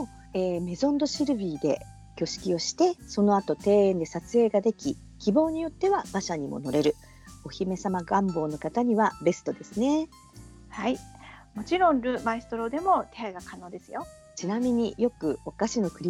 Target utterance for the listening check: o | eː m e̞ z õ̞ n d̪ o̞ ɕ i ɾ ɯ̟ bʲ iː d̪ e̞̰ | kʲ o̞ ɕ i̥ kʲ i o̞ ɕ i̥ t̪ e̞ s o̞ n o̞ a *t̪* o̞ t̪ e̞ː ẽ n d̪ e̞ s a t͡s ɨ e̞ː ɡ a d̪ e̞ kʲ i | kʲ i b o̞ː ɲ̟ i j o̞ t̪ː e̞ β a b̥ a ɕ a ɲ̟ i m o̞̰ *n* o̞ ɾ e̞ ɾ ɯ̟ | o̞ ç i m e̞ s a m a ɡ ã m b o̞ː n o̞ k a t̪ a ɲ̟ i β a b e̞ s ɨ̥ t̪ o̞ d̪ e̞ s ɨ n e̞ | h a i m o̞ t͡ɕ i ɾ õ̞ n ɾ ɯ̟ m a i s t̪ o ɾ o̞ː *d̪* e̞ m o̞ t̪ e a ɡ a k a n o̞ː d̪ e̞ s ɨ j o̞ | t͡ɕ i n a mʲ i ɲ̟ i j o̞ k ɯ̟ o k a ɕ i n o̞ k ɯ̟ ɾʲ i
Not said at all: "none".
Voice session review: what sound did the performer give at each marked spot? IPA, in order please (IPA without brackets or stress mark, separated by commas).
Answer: t̪, n, d̪